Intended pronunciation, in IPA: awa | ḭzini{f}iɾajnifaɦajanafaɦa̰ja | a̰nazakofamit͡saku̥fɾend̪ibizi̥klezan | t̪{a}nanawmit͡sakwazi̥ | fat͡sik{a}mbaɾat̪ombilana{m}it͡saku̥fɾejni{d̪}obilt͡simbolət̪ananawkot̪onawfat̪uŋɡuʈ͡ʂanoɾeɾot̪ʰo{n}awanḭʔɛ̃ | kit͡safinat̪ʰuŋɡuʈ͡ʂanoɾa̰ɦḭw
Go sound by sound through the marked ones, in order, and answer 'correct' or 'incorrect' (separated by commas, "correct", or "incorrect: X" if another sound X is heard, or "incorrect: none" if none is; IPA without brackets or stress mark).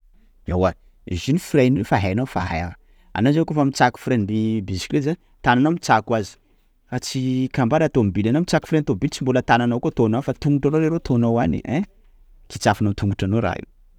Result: correct, correct, correct, correct, incorrect: t̪, correct